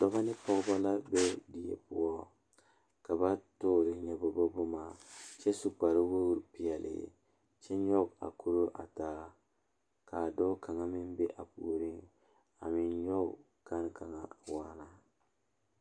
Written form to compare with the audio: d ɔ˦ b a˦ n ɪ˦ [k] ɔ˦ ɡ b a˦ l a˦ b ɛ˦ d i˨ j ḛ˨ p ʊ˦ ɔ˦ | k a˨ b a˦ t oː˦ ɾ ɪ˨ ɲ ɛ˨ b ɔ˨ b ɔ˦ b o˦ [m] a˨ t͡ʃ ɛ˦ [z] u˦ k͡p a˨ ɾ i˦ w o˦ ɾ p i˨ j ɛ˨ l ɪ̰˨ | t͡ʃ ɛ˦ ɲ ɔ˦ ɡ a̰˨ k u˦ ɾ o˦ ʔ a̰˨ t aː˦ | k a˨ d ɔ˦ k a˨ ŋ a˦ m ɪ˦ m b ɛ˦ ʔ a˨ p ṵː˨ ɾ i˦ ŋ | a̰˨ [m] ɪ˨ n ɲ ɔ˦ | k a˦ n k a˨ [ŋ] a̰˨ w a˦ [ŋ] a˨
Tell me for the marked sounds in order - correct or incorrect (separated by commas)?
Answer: incorrect, correct, incorrect, correct, correct, incorrect